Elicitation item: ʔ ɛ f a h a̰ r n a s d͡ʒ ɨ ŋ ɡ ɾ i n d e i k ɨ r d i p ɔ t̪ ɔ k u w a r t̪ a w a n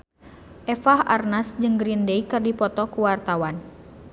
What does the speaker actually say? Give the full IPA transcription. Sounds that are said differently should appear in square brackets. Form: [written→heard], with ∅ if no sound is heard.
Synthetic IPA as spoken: ʔ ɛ f a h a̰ r n a s d͡ʒ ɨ ŋ ɡ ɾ i n d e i k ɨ r d i p ɔ t̪ ɔ k u w a r t̪ a w a n